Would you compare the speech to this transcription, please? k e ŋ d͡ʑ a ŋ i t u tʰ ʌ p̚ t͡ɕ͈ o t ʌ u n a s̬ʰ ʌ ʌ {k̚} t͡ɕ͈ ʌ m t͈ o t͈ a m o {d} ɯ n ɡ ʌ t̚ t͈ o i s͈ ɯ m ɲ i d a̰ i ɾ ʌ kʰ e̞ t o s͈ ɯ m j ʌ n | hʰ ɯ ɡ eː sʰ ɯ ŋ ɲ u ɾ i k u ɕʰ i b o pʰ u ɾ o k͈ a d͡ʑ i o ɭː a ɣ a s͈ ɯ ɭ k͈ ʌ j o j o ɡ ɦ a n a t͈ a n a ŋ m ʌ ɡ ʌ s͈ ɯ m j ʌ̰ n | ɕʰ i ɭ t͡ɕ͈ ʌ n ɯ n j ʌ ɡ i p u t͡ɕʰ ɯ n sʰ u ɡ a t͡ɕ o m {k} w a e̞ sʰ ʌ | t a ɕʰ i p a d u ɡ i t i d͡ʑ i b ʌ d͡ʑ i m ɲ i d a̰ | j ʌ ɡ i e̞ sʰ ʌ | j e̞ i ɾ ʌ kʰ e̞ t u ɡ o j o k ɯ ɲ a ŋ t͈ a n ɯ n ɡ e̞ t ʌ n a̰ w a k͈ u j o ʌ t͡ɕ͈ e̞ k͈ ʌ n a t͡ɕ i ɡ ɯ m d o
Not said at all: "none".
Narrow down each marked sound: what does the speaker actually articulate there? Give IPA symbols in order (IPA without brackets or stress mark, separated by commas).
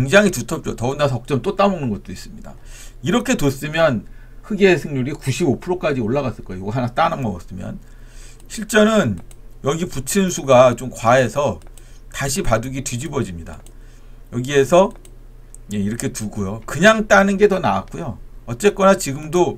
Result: k̚, n, k